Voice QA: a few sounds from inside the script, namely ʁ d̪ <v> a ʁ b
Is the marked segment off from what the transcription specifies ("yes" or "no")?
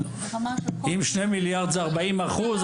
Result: yes